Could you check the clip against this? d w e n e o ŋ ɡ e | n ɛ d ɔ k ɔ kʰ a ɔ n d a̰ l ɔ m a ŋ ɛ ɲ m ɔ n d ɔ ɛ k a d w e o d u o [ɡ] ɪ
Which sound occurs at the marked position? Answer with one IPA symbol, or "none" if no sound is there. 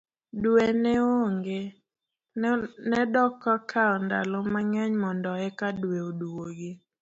ɡ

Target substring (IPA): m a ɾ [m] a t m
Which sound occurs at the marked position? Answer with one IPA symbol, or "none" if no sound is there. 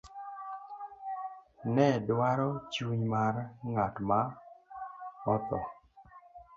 ŋ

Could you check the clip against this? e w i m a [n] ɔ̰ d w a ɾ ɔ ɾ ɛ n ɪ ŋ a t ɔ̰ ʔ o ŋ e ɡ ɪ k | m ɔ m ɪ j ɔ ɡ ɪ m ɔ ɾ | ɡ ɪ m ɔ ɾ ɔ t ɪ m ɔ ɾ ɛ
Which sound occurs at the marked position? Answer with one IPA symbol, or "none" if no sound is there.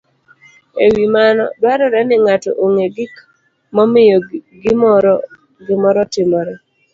n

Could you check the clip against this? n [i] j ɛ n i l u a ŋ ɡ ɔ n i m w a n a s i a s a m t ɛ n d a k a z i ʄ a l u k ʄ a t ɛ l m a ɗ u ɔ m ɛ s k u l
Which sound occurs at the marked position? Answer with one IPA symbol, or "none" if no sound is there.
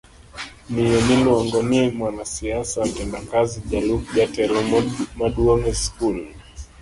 i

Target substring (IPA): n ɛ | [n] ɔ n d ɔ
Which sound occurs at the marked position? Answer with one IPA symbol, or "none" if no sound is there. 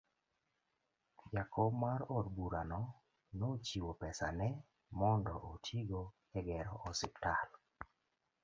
m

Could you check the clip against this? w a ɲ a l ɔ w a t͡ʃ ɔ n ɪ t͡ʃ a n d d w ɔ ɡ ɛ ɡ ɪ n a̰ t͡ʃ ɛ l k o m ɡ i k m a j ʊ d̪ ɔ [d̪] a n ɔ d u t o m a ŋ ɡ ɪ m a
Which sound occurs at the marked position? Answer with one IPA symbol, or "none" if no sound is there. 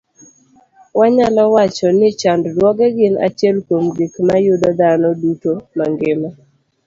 d̪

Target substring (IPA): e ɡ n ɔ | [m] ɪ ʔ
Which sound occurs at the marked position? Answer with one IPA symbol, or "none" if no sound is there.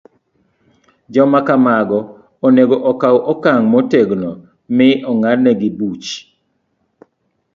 m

